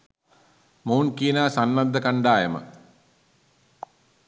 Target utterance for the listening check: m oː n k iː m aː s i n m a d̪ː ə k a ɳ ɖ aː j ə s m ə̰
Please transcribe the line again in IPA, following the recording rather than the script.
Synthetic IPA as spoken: m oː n k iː n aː s a n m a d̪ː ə k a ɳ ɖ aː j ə m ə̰